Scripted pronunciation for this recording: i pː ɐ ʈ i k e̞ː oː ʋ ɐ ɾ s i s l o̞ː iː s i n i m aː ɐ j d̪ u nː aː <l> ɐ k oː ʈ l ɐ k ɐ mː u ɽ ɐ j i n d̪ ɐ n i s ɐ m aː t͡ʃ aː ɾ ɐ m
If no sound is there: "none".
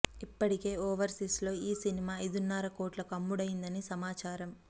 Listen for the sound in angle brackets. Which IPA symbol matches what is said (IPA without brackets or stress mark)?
ɾ